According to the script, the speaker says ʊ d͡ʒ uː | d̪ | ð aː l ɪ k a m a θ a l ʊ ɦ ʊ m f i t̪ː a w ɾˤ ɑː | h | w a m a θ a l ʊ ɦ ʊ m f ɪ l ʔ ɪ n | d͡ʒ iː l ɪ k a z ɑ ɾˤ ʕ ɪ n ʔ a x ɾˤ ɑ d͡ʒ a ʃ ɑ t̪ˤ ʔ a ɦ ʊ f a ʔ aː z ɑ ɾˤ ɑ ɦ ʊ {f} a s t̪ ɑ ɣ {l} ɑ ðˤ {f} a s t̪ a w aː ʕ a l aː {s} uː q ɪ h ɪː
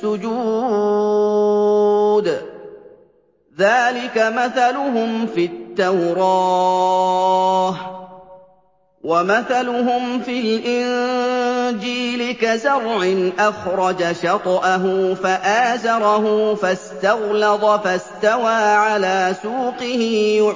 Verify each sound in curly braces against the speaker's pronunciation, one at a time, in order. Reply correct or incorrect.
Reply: correct, correct, correct, correct

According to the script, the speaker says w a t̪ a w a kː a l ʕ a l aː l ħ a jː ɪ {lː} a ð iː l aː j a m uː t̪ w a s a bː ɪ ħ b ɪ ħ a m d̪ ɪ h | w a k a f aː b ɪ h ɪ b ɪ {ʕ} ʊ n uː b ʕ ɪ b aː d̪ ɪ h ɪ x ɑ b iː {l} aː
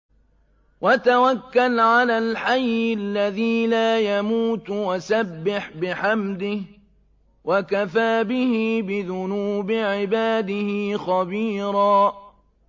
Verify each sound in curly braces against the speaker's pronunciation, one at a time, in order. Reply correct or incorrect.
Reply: correct, incorrect, incorrect

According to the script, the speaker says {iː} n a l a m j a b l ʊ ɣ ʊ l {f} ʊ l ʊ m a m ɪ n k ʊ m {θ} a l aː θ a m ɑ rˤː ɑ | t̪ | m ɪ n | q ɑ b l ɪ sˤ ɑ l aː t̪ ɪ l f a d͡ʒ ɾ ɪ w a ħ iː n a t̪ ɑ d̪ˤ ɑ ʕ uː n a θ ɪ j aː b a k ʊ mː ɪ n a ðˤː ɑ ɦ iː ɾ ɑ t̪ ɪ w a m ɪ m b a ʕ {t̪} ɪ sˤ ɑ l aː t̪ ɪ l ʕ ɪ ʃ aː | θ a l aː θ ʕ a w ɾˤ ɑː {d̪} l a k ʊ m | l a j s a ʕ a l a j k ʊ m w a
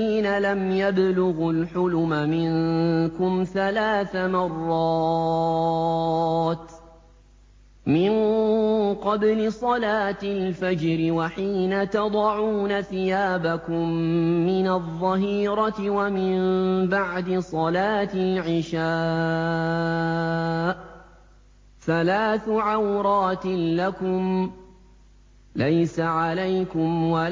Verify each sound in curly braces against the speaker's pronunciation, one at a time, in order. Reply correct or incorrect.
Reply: correct, incorrect, correct, incorrect, incorrect

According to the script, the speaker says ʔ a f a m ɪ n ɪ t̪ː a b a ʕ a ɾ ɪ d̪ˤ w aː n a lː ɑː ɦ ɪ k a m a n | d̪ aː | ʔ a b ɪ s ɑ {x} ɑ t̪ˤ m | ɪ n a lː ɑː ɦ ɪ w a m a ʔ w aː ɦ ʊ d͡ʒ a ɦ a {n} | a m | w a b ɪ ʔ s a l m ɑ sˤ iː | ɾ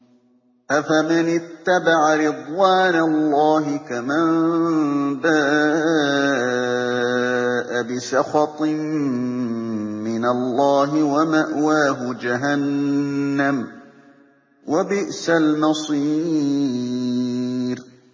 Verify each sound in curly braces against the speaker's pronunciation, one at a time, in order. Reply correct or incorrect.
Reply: correct, incorrect

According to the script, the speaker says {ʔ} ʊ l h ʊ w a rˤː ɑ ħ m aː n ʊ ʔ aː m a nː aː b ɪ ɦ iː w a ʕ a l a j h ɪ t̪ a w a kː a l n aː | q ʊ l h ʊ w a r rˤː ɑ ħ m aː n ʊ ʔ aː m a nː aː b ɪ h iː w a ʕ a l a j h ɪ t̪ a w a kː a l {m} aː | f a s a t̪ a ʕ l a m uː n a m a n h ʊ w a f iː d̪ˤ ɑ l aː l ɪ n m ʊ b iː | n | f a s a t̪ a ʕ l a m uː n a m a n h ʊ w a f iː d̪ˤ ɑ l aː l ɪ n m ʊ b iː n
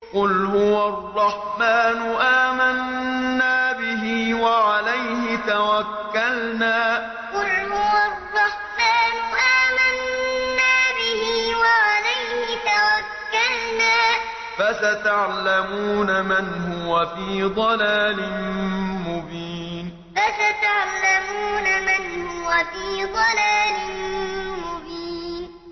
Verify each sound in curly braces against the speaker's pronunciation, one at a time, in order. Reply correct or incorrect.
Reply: incorrect, incorrect

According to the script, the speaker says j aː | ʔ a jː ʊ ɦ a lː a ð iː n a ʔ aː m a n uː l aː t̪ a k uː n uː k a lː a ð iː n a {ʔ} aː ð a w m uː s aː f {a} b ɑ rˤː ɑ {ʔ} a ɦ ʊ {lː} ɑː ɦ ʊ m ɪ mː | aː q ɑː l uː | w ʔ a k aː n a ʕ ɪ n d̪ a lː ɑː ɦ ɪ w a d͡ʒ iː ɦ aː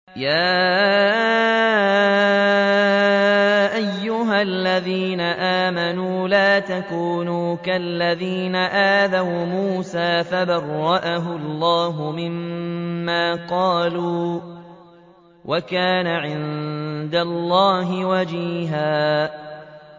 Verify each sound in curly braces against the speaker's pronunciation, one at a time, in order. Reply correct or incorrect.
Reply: correct, correct, correct, correct

